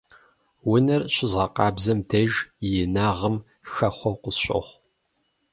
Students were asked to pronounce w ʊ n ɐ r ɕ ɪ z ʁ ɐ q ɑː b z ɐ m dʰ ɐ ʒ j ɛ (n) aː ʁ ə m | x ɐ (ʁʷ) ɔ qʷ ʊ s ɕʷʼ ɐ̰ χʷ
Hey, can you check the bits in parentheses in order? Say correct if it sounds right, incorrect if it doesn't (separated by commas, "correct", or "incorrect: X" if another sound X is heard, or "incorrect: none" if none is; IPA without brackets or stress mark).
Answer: correct, incorrect: χʷ